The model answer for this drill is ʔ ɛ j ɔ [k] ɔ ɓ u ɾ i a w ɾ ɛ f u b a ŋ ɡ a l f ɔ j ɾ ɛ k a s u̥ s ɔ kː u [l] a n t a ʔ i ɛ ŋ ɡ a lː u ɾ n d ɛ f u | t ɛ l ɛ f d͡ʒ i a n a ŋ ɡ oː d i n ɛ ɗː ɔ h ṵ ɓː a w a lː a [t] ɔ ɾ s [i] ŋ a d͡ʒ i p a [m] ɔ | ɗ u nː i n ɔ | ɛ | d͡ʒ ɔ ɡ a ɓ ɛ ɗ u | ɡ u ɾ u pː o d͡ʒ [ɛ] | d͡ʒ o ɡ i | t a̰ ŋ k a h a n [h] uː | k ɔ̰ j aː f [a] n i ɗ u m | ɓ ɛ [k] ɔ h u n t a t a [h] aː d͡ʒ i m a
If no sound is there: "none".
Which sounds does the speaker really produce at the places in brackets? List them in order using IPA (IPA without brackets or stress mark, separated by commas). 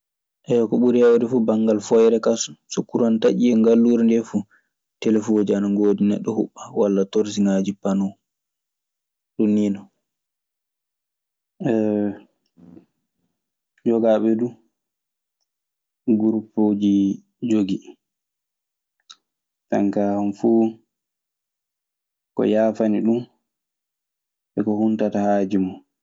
k, ɾ, t, i, n, i, f, a, k, h